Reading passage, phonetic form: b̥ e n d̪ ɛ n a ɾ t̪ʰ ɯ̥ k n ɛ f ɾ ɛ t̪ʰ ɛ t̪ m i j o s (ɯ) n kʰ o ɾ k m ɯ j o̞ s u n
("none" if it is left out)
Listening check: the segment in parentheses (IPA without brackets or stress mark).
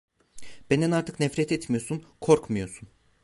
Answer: u